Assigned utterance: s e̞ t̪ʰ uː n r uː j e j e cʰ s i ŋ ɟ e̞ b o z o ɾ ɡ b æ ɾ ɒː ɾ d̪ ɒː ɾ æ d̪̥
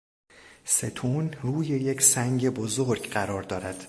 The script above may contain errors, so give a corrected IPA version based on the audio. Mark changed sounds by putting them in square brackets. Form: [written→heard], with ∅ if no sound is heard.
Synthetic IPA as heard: s e̞ t̪ʰ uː n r uː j e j e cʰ s [i→æ] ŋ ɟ e̞ b o z o ɾ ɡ [b→ɢ] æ ɾ ɒː ɾ d̪ ɒː ɾ æ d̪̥